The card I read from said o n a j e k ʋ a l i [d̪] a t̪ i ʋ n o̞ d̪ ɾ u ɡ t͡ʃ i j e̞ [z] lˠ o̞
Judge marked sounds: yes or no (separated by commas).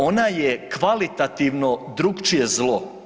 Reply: no, yes